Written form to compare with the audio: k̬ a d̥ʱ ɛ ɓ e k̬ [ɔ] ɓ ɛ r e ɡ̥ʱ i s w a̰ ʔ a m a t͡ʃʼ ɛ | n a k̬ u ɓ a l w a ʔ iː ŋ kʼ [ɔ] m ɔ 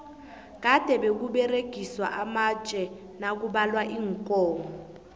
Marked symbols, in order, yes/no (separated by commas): no, no